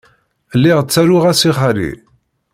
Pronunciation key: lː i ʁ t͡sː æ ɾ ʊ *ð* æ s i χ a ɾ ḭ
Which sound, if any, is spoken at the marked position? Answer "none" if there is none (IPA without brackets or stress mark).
ʁ